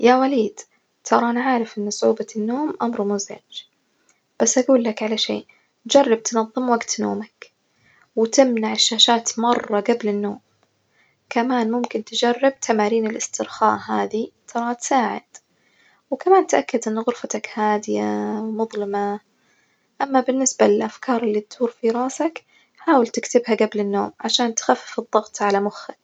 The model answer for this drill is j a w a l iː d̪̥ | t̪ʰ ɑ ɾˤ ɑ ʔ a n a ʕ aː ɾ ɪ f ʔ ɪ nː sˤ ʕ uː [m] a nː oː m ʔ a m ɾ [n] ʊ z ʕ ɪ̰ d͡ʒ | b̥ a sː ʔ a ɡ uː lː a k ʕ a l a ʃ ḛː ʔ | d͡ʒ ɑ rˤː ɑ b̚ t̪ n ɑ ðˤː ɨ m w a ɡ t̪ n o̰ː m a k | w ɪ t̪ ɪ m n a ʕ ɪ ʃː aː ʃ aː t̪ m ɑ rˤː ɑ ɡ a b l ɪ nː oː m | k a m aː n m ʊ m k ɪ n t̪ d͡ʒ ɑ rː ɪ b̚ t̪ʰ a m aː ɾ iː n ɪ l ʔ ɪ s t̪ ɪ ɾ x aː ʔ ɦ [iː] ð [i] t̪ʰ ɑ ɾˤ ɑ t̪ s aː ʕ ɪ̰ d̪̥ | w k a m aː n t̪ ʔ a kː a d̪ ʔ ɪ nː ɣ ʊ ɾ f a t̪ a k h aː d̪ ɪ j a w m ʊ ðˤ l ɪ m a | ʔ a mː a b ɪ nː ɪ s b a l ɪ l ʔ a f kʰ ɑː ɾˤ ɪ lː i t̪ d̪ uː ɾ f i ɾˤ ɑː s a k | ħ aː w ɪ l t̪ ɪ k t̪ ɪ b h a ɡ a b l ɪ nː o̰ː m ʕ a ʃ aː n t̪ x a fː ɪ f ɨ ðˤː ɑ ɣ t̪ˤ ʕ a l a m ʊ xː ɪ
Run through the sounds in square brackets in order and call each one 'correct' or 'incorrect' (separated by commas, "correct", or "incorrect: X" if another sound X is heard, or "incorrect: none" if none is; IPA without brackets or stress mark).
incorrect: b, incorrect: m, incorrect: aː, correct